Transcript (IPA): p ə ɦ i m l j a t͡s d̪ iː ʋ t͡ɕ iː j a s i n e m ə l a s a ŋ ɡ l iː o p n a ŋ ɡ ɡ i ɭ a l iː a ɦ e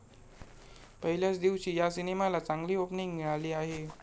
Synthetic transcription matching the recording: p ə ɦ i l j a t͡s d̪ i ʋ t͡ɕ iː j a s i n e m a l a t͡s a ŋ ɡ l iː o p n i ŋ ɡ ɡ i ɭ a l iː a ɦ e